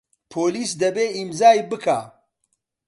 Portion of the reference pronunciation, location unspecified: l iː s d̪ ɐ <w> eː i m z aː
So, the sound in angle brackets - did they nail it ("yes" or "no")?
no